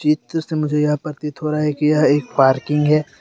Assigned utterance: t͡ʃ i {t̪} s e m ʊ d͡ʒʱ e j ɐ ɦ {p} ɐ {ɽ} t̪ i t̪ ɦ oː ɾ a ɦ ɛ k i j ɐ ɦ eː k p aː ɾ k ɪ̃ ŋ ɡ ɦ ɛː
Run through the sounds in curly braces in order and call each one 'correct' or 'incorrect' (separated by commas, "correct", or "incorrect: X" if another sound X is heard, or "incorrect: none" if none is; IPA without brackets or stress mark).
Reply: correct, correct, incorrect: ɾ